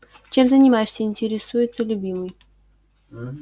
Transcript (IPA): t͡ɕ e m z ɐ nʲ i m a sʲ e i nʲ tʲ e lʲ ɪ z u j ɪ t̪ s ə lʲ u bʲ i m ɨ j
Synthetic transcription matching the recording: t͡ɕ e m z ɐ nʲ i m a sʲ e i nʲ tʲ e ɾʲ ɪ s u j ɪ t̪ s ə lʲ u bʲ i m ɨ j

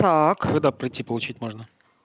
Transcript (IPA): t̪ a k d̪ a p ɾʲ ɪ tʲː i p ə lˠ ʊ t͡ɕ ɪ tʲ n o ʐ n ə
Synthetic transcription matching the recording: t̪ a k d̪ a p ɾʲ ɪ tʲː i p ə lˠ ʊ t͡ɕ i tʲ m o ʐ n ə

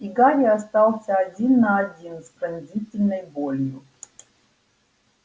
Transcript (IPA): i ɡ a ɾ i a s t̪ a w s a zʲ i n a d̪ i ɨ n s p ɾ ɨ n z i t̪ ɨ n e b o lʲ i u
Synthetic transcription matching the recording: i ɡ a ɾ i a s t̪ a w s a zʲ i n a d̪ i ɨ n s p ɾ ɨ n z i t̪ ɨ n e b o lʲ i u

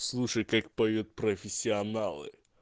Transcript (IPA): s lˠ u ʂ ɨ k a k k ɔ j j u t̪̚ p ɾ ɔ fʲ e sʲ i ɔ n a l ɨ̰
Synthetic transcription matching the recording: s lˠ u ʂ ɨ k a k p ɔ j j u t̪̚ p ɾ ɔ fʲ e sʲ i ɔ n a l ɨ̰

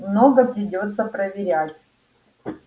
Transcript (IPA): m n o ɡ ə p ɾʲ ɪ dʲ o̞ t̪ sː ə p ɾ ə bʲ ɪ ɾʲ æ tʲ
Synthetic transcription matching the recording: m n o ɡ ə p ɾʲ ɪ dʲ o̞ t̪ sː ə p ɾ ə vʲ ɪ ɾʲ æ tʲ

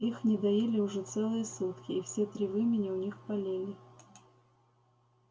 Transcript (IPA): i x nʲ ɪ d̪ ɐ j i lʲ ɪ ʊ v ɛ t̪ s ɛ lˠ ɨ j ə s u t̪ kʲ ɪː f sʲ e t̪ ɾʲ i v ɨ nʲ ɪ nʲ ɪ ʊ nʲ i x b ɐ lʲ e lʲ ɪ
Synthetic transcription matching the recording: i x nʲ ɪ d̪ ɐ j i lʲ ɪ ʊ ʐ ɛ t̪ s ɛ lˠ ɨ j ə s u t̪ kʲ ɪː f sʲ e t̪ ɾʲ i v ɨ mʲ ɪ nʲ ɪ ʊ nʲ i x p ɐ lʲ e lʲ ɪ

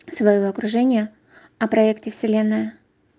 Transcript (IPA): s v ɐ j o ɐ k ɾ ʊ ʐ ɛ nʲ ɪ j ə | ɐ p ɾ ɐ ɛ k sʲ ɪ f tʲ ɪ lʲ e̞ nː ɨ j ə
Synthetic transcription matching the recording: s v ɐ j o ɐ k ɾ ʊ ʐ ɛ nʲ ɪ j ə | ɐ p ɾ ɐ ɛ k tʲ ɪ f sʲ ɪ lʲ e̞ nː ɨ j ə

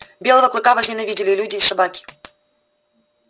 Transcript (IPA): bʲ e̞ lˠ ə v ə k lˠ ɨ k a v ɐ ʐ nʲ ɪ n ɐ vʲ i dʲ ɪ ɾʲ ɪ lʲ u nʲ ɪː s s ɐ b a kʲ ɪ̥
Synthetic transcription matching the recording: bʲ e̞ lˠ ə v ə k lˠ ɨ k a v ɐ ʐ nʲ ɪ n ɐ vʲ i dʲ ɪ lʲ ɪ lʲ u dʲ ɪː s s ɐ b a kʲ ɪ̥

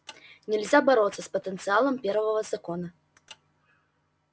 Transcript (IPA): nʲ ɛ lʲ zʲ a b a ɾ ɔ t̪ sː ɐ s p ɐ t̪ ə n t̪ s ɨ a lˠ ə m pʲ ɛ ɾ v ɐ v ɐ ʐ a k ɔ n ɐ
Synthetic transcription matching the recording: nʲ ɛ lʲ zʲ a b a ɾ ɔ t̪ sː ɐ s p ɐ t̪ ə n t̪ s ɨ a lˠ ɐ m pʲ ɛ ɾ v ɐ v ɐ z a k ɔ n ɐ

